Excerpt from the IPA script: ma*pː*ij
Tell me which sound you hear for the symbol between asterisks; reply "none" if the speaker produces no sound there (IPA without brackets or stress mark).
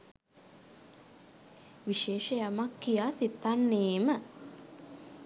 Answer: kː